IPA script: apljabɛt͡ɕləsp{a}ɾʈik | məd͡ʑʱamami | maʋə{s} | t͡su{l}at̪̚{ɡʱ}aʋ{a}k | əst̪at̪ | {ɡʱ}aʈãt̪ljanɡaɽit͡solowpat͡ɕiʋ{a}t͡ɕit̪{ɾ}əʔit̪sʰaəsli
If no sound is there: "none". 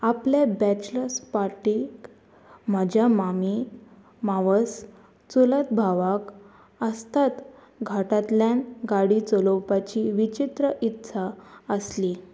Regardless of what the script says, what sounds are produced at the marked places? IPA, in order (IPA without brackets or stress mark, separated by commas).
a, s, l, bʱ, a, ɡʱ, i, ɾ